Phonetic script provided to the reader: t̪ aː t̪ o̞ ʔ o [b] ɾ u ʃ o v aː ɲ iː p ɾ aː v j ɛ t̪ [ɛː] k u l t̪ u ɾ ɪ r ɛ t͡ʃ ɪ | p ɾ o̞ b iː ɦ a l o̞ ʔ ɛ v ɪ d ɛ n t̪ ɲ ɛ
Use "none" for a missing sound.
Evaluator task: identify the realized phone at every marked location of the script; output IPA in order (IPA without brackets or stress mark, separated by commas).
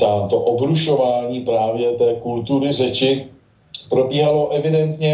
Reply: b, ɛː